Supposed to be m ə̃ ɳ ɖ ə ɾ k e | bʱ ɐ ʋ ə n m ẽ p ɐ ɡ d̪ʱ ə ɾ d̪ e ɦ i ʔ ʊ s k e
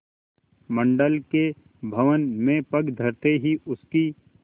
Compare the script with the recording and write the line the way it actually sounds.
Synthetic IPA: m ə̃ ɳ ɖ ə l k e | bʱ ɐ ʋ ə n m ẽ p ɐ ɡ d̪ʱ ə ɾ t̪ e ɦ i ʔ ʊ s k i